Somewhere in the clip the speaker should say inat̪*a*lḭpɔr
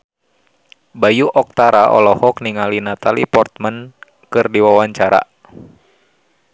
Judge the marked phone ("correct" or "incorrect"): correct